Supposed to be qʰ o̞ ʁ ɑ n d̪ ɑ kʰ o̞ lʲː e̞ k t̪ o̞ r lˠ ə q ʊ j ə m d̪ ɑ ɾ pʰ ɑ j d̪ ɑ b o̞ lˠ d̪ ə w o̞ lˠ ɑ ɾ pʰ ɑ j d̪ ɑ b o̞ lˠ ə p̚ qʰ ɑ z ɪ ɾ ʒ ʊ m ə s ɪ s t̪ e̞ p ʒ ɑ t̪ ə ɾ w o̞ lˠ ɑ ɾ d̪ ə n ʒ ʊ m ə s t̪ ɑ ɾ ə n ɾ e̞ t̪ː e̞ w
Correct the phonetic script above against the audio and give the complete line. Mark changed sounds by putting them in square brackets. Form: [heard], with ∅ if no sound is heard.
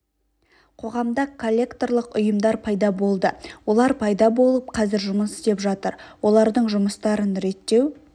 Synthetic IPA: qʰ o̞ ʁ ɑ [m] d̪ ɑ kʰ o̞ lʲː e̞ k t̪ o̞ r lˠ ə q ʊ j ə m d̪ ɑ ɾ pʰ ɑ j d̪ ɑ b o̞ lˠ d̪ ə w o̞ lˠ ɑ ɾ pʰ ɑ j d̪ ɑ b o̞ lˠ ə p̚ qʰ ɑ z ɪ ɾ ʒ ʊ m ə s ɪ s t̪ e̞ p ʒ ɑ t̪ ə ɾ w o̞ lˠ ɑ ɾ d̪ ə [ɴ] ʒ ʊ m ə s t̪ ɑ ɾ ə n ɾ e̞ t̪ː e̞ w